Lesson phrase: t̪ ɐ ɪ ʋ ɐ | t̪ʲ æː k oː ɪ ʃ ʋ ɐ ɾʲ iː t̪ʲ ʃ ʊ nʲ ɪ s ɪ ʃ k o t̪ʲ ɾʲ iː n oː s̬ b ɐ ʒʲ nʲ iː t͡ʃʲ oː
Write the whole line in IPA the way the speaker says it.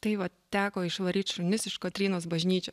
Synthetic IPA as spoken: t̪ ɐ ɪ ʋ ɐ | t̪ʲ æː k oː ɪ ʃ ʋ ɐ ɾʲ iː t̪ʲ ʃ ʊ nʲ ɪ s ɪ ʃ k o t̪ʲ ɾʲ iː n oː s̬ b ɐ ʒʲ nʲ iː t͡ʃʲ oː